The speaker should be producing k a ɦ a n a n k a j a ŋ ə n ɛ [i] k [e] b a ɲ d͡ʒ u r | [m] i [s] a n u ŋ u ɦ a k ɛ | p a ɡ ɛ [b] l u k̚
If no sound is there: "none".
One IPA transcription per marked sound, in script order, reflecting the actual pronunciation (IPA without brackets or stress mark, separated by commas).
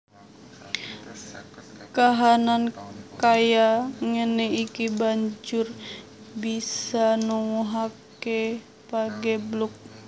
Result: i, i, b, s, b